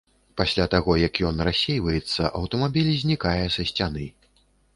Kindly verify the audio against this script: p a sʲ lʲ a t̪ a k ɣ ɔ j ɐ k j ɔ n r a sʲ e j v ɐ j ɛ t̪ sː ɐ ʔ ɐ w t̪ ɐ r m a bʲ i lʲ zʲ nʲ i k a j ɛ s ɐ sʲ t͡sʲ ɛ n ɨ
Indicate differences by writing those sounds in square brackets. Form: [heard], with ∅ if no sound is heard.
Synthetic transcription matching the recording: p a sʲ lʲ a t̪ a [∅] ɣ ɔ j ɐ k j ɔ n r a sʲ e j v ɐ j ɛ t̪ sː ɐ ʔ ɐ w t̪ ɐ [∅] m a bʲ i lʲ zʲ nʲ i k a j ɛ s ɐ sʲ t͡sʲ [a] n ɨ